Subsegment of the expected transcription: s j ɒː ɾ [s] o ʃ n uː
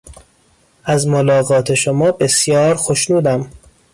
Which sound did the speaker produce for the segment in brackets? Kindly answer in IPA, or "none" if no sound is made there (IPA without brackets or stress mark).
x